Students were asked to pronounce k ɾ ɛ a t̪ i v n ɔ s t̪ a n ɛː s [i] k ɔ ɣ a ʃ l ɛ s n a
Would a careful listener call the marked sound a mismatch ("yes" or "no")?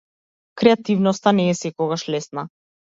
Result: yes